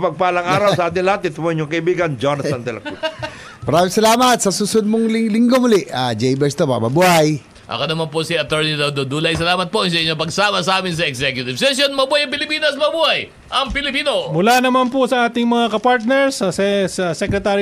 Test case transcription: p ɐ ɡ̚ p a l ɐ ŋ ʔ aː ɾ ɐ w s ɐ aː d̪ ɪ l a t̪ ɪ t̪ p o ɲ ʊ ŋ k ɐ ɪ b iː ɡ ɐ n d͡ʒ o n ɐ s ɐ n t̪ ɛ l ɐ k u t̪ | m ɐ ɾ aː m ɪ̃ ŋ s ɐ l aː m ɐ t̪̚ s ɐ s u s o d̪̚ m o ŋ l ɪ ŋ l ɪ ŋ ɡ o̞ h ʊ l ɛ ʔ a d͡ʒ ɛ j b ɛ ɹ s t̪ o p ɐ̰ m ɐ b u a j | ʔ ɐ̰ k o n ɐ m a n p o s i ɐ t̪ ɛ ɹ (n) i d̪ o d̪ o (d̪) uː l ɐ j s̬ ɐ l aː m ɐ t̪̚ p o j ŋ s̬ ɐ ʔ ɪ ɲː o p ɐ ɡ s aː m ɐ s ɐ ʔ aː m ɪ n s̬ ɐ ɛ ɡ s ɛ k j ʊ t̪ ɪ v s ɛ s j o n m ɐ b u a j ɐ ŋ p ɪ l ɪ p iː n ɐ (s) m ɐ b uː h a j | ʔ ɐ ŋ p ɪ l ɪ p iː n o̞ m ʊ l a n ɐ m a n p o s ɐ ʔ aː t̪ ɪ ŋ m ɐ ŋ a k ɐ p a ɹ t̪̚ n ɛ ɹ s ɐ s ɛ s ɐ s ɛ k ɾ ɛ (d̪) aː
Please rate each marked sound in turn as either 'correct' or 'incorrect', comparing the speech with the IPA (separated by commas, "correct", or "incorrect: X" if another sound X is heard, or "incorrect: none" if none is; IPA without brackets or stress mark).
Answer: correct, correct, correct, incorrect: t̪